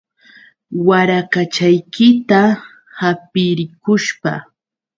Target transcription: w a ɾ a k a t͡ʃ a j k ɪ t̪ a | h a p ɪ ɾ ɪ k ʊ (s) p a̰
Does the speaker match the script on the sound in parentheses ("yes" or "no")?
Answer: no